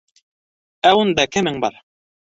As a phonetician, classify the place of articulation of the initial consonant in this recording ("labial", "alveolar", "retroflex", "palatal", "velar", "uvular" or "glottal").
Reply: alveolar